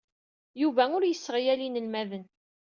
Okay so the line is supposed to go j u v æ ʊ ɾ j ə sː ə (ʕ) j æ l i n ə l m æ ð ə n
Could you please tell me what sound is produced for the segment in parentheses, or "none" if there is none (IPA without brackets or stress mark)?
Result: ʁ